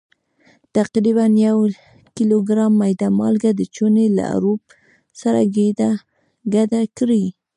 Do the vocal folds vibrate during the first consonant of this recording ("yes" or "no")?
no